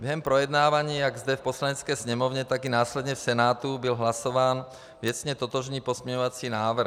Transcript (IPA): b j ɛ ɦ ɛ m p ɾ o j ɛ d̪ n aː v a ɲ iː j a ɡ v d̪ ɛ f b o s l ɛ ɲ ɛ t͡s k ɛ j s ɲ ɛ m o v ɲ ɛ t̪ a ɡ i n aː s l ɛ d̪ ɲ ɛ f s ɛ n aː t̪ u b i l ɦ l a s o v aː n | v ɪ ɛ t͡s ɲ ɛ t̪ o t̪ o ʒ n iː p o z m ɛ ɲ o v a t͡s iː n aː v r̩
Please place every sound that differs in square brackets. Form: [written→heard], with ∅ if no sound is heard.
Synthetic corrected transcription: b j ɛ ɦ ɛ m p ɾ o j ɛ d̪ n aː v a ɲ iː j a ɡ [v→z] d̪ ɛ f [b→p] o s l [ɛ→a] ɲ ɛ t͡s k ɛ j s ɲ ɛ m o v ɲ ɛ t̪ a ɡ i n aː s l ɛ d̪ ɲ ɛ f s ɛ n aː t̪ u b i l ɦ l a s o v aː n | v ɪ ɛ t͡s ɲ ɛ t̪ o t̪ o ʒ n iː p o z m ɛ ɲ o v a t͡s iː n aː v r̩